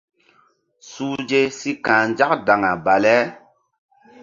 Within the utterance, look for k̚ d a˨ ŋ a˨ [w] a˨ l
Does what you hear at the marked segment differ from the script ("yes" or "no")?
yes